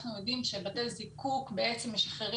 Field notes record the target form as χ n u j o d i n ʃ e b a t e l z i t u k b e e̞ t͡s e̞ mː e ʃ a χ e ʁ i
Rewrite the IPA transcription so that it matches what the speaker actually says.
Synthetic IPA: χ n u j o d i m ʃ e b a t e l z i k u k b e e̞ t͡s e̞ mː e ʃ a χ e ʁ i